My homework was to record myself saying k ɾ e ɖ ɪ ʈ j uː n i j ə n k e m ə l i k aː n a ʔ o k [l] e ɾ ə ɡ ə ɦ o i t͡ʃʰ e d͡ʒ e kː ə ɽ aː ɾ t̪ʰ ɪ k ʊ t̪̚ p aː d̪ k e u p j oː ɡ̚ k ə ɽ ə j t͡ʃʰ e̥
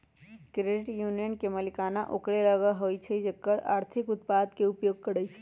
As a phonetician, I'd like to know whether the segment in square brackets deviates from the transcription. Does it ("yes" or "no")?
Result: yes